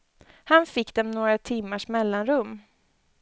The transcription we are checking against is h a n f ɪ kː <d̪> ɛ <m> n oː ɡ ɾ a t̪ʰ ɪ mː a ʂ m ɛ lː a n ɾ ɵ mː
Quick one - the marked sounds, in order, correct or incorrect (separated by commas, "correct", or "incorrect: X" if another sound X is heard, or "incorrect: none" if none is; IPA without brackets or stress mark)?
correct, correct